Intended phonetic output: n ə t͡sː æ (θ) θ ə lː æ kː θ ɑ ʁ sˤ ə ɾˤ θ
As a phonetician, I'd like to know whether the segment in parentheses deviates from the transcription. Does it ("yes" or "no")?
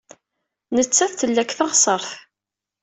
no